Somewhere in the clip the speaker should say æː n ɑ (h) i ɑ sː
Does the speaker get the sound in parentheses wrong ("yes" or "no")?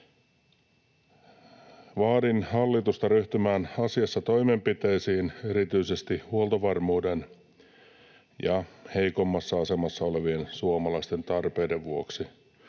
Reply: yes